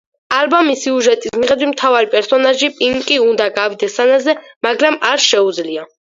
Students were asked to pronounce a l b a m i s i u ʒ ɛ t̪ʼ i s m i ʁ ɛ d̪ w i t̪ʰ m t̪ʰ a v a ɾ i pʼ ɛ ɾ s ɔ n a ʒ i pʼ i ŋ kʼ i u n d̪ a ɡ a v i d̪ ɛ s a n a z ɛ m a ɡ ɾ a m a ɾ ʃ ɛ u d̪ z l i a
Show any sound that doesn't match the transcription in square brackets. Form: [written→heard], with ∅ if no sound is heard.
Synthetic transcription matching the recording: a l b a m i s i u ʒ ɛ t̪ʼ i s m i ʁ ɛ d̪ w i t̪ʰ m t̪ʰ a v a ɾ i pʼ ɛ ɾ s ɔ n a ʒ i pʼ i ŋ kʼ i u n d̪ a ɡ a v i d̪ ɛ s a n a z ɛ m a ɡ ɾ a m a ɾ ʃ ɛ u d̪ z l i a